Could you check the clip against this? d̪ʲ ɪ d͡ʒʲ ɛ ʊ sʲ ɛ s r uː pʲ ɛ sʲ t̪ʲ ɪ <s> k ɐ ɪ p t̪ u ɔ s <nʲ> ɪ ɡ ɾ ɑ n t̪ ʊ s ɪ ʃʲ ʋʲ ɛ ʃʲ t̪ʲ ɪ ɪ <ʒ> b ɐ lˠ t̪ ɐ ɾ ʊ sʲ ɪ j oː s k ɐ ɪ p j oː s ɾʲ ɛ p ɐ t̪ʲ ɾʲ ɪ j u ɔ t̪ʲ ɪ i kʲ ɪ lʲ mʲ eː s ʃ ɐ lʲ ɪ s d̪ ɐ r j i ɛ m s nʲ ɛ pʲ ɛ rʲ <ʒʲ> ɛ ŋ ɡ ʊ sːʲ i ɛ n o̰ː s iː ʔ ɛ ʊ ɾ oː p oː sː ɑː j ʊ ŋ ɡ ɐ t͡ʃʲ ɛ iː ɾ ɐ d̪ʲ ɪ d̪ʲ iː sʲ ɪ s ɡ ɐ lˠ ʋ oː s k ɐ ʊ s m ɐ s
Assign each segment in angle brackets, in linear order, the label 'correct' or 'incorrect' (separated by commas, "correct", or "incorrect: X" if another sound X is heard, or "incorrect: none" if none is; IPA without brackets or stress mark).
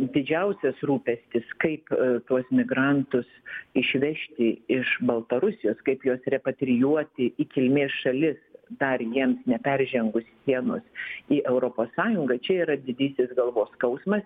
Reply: correct, incorrect: mʲ, incorrect: ʃ, correct